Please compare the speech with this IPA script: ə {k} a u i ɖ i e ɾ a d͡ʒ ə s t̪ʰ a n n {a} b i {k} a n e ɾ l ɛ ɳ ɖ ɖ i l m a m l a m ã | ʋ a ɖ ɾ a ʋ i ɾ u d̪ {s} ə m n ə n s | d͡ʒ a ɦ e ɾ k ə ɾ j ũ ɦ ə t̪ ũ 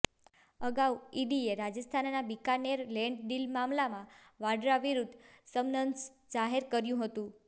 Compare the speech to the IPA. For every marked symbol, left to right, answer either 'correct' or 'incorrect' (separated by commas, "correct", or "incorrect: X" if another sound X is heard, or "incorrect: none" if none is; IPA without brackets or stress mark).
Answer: incorrect: ɡ, correct, correct, correct